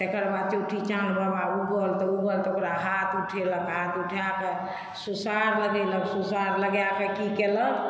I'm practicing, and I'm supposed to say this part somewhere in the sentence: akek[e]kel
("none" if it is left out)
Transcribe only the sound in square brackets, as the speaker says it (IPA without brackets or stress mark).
i